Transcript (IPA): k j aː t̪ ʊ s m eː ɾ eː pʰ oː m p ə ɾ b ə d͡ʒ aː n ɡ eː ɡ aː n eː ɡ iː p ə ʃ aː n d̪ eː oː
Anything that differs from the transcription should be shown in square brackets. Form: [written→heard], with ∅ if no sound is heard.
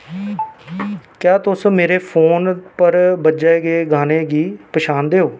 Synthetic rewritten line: k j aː t̪ ʊ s m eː ɾ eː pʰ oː [m→n] p ə ɾ b ə d͡ʒ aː [n→∅] ɡ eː ɡ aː n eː ɡ iː p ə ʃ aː n d̪ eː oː